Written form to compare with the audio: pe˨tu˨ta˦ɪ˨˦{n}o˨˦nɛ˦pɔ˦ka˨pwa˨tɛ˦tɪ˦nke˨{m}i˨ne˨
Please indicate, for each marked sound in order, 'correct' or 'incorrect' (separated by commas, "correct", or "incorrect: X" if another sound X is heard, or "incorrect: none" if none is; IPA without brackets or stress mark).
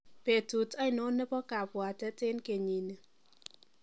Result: correct, incorrect: ɲ